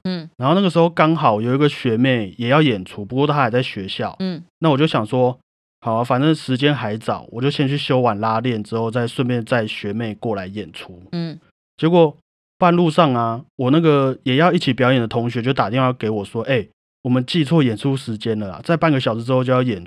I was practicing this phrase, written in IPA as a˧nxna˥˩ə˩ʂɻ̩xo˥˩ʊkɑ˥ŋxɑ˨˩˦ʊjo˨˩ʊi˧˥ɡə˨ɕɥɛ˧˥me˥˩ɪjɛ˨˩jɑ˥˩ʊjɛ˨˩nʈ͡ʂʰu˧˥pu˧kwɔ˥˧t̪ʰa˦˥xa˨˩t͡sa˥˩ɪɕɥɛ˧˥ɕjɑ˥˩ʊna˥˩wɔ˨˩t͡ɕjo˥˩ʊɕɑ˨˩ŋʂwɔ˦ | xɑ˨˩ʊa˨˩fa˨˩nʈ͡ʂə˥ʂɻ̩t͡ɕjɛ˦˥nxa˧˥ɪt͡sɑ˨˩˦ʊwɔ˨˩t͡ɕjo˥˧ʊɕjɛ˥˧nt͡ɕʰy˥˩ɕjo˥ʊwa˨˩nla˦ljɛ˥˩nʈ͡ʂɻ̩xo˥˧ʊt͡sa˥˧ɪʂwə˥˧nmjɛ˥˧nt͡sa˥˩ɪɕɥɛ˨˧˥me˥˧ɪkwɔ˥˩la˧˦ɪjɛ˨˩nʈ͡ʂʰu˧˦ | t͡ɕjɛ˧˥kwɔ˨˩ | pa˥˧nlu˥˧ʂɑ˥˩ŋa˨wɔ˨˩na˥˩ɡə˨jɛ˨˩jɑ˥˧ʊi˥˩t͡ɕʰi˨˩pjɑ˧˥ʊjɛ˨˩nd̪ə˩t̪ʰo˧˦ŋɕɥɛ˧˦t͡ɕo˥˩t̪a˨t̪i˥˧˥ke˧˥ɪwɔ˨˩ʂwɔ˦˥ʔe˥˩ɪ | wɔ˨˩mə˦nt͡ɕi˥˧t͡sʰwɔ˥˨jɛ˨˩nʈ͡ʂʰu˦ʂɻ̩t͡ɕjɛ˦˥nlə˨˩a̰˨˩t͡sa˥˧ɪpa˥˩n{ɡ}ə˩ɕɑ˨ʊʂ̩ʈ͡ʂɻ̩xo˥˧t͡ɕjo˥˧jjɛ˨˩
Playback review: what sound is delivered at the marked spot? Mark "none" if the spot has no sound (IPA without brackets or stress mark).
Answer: ɡ